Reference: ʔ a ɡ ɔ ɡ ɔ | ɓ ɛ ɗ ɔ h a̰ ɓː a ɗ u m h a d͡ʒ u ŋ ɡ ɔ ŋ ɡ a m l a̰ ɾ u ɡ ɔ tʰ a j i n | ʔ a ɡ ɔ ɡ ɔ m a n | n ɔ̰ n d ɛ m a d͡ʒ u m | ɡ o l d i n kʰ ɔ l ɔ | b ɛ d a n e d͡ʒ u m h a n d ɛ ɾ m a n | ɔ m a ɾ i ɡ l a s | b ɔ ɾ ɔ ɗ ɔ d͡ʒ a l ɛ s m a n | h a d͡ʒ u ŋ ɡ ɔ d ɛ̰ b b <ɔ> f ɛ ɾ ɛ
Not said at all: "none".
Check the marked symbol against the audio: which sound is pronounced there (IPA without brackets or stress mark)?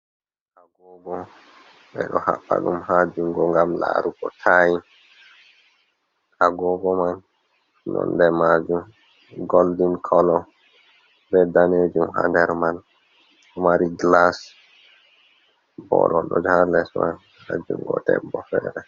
ɔ